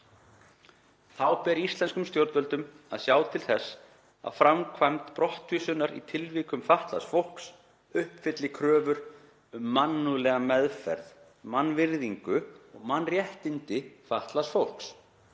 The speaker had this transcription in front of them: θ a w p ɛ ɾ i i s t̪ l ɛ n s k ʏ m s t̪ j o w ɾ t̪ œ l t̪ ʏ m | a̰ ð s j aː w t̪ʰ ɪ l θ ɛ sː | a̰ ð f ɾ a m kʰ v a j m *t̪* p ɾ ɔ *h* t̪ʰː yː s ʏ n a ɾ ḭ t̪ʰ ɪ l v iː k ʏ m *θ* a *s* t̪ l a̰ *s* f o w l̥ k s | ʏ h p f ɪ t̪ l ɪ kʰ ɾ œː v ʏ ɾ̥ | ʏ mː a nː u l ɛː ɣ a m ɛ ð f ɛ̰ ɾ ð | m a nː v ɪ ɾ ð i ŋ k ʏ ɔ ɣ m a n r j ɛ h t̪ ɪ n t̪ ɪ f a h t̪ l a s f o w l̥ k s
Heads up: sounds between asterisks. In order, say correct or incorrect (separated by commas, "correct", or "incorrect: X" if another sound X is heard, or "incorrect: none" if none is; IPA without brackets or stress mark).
correct, correct, incorrect: f, incorrect: h, correct